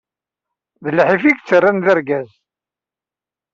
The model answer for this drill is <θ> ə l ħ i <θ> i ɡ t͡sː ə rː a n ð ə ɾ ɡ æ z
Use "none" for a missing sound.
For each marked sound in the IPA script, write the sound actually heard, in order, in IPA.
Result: ð, f

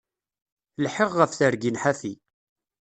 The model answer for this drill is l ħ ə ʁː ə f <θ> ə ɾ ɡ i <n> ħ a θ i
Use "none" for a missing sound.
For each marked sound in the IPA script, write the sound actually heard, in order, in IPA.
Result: θ, n

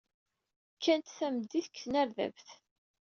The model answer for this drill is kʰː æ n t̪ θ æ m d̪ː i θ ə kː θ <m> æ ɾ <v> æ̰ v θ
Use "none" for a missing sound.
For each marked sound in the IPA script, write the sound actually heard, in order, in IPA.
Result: n, ð

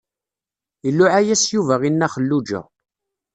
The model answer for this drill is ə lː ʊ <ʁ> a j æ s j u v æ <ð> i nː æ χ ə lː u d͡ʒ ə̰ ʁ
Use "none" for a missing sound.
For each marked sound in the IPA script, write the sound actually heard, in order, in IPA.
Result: ʕ, ʁ

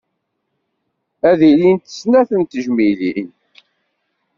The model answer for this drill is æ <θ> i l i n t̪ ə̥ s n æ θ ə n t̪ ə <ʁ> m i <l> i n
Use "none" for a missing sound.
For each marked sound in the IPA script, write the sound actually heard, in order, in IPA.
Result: ð, ʒ, l

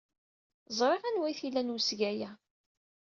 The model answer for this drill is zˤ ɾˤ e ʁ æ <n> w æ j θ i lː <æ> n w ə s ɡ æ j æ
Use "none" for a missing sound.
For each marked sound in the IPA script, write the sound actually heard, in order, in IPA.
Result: n, æ

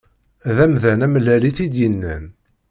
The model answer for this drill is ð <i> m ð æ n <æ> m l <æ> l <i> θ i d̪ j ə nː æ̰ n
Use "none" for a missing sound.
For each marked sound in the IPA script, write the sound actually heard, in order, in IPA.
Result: æ, æ, æ, i

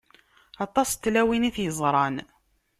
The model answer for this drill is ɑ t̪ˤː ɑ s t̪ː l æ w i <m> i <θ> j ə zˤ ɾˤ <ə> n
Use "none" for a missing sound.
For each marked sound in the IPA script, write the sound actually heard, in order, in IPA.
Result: n, θ, ɑ

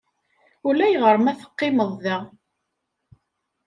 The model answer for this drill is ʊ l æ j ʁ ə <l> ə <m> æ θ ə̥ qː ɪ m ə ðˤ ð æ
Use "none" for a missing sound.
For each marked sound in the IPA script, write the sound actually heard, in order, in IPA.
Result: ɾ, m

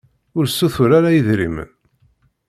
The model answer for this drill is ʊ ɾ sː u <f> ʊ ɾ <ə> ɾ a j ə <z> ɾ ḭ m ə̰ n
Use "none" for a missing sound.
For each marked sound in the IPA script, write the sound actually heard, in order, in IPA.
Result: θ, a, ð

